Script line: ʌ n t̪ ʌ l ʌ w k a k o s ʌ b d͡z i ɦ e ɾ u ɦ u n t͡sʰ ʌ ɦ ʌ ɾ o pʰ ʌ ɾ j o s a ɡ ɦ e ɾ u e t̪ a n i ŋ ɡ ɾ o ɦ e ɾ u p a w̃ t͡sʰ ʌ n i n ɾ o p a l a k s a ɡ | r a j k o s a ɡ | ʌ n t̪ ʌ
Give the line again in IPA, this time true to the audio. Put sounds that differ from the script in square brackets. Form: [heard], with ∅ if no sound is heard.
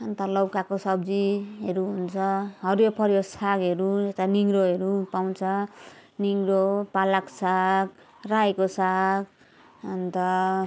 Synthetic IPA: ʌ n t̪ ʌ l ʌ w k a k o s ʌ b d͡z i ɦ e ɾ u ɦ u n t͡sʰ ʌ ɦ ʌ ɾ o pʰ ʌ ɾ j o s a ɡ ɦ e ɾ u e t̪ a n i ŋ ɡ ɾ o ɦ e ɾ u p a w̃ t͡sʰ ʌ n i [ŋ] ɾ o p a l a k s a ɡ | r a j k o s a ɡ | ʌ n t̪ ʌ